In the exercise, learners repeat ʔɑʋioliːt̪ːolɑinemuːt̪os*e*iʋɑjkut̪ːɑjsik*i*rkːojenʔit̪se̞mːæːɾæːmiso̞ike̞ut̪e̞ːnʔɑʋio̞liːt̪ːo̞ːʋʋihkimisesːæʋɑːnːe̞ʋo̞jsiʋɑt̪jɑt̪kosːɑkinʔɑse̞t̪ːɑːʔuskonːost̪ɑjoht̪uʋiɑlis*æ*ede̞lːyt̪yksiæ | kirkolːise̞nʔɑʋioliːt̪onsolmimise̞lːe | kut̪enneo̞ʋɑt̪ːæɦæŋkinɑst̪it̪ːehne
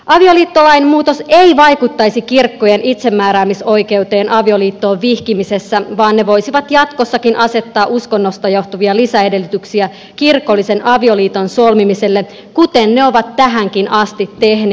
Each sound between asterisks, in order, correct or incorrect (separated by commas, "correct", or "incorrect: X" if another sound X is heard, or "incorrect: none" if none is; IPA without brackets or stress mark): correct, correct, correct